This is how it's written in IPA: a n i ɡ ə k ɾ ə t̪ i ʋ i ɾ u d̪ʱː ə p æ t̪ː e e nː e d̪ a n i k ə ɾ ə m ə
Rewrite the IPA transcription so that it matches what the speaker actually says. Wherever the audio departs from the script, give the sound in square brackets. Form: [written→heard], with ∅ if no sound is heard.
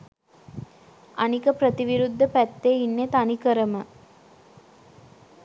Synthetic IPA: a n i [ɡ→k] ə [k→p] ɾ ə t̪ i ʋ i ɾ u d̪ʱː ə p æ t̪ː e [e→i] nː e [d̪→t̪] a n i k ə ɾ ə m ə